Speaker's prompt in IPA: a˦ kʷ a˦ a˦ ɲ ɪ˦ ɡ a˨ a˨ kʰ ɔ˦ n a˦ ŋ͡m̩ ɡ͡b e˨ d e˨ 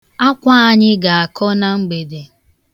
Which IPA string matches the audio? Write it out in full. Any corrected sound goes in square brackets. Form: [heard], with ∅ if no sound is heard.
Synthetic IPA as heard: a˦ kʷ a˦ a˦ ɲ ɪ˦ ɡ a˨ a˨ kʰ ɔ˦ n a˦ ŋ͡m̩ ɡ͡b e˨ d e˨